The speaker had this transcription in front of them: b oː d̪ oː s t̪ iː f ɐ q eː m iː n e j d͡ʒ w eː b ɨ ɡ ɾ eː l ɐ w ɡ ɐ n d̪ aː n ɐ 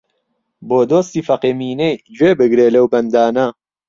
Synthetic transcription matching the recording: b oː d̪ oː s t̪ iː f ɐ q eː m iː n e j d͡ʒ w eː b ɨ ɡ ɾ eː l ɐ w b ɐ n d̪ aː n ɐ